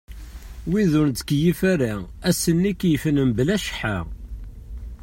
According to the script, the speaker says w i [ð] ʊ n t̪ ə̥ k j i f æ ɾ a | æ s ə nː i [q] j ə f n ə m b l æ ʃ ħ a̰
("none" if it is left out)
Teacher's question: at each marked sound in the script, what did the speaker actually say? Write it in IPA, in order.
ð, k

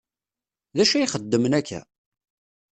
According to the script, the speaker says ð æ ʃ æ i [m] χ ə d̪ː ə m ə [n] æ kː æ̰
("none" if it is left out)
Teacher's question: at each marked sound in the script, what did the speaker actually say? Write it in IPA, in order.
none, n

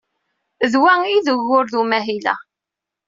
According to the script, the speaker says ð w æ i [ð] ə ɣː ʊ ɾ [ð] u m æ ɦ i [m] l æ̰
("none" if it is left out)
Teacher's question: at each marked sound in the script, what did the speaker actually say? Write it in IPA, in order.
ð, ð, none

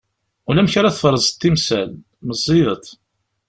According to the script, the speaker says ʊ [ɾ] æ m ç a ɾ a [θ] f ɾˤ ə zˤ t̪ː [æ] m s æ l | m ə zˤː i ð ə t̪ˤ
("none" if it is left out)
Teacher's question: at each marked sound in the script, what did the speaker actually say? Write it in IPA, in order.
l, θ, i

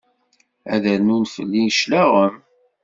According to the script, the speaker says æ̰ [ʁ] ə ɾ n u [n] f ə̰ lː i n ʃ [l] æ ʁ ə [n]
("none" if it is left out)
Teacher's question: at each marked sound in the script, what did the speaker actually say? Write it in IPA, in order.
ð, n, l, m

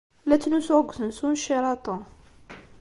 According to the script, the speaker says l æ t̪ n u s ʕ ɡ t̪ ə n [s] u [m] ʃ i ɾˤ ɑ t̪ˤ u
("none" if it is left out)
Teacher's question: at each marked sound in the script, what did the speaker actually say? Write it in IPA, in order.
s, n

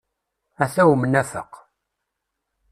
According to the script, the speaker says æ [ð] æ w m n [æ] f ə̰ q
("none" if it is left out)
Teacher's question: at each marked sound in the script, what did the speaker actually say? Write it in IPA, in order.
θ, æ

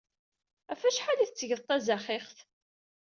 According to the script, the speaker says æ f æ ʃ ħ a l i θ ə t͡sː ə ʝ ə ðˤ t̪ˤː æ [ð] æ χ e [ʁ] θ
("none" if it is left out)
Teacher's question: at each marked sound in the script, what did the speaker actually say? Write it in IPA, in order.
z, χ

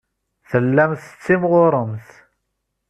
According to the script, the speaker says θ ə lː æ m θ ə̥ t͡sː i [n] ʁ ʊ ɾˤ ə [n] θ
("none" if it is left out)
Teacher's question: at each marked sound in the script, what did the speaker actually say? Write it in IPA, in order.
m, m

